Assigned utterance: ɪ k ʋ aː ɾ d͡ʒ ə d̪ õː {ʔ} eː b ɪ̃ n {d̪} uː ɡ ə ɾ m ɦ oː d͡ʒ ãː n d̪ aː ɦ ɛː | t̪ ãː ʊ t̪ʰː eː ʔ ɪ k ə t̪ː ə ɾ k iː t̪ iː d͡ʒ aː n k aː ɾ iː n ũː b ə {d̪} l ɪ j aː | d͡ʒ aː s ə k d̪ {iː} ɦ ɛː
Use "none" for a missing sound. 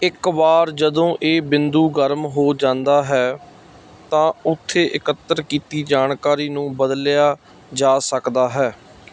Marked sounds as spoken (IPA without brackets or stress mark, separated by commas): ʔ, d̪, d̪, aː